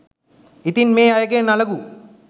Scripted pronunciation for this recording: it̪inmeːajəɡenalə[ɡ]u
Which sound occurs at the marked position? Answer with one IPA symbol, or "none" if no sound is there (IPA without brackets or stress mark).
ɡ